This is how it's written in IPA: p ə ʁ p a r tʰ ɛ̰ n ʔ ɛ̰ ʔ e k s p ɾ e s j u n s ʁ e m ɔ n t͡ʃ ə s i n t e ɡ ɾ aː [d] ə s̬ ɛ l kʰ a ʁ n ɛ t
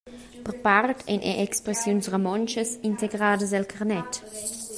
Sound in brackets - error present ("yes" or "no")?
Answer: no